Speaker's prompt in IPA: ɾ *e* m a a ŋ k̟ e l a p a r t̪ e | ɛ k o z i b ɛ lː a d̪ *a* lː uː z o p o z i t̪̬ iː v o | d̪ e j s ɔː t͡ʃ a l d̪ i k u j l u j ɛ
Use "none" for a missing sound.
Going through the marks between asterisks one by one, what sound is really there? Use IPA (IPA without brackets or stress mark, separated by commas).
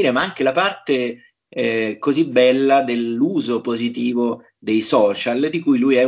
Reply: e, e